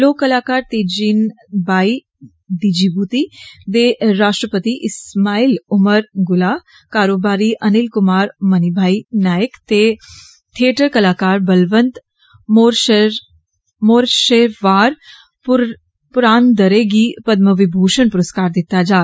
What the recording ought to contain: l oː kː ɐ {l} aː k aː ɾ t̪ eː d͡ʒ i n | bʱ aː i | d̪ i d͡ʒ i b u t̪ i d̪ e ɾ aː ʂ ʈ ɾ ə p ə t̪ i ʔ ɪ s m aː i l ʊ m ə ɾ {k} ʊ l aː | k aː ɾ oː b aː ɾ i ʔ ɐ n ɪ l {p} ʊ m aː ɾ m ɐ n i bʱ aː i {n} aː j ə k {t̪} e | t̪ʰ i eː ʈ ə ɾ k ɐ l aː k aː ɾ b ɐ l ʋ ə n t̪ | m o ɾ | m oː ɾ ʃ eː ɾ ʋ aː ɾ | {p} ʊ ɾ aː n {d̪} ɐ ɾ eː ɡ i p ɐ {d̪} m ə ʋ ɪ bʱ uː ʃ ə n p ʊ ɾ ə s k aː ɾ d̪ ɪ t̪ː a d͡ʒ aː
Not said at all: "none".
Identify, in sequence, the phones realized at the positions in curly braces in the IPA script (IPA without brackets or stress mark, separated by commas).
l, ɡ, k, n, t̪, p, d̪, d̪